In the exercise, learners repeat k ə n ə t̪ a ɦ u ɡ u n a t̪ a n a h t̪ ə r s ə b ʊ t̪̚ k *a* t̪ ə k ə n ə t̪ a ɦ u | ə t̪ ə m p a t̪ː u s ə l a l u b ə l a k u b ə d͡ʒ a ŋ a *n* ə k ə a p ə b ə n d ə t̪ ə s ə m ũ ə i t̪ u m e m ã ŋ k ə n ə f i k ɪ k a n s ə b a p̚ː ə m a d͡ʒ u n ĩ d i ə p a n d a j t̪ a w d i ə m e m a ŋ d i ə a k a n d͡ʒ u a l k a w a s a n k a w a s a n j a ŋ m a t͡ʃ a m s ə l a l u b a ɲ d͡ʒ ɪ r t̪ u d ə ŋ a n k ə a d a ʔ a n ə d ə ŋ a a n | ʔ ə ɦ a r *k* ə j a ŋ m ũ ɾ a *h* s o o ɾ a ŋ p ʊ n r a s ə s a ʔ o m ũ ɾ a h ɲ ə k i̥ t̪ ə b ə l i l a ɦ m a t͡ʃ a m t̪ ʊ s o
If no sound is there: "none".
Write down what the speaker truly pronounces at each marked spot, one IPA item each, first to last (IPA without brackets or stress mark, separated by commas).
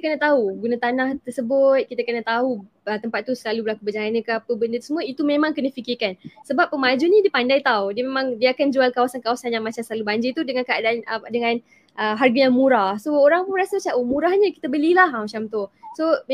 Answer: i, n, ɡ, h